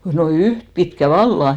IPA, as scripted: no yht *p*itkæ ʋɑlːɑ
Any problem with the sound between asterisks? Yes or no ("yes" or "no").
no